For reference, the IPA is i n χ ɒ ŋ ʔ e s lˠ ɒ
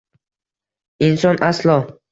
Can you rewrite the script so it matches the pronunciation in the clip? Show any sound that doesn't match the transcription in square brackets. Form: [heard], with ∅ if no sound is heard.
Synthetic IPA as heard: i n [s] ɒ [n] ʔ [a] s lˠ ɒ